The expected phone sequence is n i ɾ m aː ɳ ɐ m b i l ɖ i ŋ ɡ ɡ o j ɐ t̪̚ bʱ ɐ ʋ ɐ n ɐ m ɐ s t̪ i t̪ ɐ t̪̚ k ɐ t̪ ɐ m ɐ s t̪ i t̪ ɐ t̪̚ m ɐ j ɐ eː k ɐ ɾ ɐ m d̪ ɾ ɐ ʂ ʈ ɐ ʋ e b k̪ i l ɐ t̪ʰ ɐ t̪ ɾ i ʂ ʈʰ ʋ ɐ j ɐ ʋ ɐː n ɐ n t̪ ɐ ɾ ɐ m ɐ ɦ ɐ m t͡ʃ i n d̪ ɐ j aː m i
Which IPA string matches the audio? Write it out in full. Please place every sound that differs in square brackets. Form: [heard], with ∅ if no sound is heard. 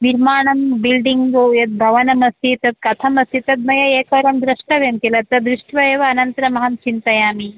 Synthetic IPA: n i ɾ m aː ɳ ɐ m b i l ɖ i ŋ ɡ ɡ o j ɐ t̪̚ bʱ ɐ ʋ ɐ n ɐ m ɐ s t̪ i t̪ ɐ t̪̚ k ɐ [t̪ʰ] ɐ m ɐ s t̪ i t̪ ɐ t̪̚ m ɐ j ɐ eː k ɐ ɾ ɐ m d̪ ɾ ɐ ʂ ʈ ɐ ʋ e [m] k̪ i l ɐ [t̪] ɐ [d̪] ɾ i ʂ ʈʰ ʋ ɐ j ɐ ʋ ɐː n ɐ n t̪ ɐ ɾ ɐ m ɐ ɦ ɐ m t͡ʃ i n [t̪] ɐ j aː m i